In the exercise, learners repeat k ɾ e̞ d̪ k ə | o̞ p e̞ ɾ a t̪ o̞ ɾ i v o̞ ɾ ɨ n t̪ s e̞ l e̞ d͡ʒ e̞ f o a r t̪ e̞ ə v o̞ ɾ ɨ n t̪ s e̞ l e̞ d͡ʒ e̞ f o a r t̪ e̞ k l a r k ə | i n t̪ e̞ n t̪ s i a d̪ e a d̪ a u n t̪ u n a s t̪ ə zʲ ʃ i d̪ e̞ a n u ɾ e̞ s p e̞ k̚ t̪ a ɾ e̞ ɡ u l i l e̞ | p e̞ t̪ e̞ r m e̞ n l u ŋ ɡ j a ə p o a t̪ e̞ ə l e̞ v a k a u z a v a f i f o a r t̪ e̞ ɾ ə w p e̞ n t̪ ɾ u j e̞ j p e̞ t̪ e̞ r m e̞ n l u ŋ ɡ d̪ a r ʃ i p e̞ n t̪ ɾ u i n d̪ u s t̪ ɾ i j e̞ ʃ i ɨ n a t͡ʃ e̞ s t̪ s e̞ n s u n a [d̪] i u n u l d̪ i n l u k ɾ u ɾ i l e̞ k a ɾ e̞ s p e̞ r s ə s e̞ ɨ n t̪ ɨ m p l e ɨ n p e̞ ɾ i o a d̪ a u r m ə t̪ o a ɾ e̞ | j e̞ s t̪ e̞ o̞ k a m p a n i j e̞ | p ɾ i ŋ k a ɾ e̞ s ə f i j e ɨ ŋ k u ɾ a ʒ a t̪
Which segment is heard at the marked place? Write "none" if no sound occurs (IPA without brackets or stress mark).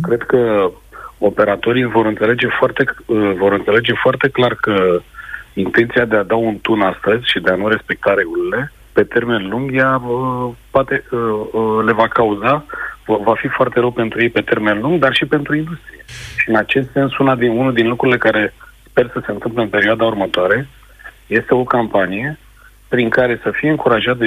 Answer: d̪